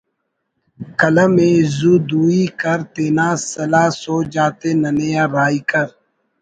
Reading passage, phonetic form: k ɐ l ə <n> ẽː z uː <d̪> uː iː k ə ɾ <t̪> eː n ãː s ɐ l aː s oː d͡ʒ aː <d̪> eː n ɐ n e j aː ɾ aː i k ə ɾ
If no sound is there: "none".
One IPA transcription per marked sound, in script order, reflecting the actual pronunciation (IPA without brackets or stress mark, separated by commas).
m, d̪, t̪, t̪